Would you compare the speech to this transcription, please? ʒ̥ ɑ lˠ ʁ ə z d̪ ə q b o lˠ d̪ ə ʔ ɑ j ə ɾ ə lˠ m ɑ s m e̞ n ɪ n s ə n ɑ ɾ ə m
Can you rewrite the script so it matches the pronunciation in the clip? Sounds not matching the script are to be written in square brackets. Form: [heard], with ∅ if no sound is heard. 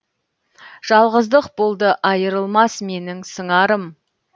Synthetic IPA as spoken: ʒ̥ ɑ lˠ ʁ ə z d̪ ə q b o lˠ d̪ ə ʔ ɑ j ə ɾ ə lˠ m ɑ s m e̞ n ɪ [ŋ] s ə [ɴ] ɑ ɾ ə m